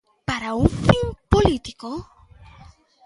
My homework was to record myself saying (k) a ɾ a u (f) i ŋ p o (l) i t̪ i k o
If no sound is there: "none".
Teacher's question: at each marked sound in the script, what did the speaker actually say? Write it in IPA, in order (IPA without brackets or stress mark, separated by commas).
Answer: p, f, l